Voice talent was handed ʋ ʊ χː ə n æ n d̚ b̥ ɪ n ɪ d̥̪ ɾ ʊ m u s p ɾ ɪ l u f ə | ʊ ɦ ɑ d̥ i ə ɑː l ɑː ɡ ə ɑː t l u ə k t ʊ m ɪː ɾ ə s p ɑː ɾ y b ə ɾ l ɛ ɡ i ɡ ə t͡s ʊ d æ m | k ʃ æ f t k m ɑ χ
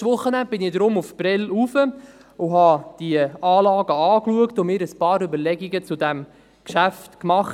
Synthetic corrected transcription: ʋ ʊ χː ə n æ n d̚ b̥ ɪ n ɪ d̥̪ ɾ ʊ m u f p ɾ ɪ l u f ə | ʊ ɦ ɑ d̥ i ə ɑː l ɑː ɡ ə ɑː k l u ə k t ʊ m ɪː ɾ ə s p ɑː ɾ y b ə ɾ l ɛ ɡ i ɡ ə t͡s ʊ d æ m | k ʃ æ f t k m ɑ χ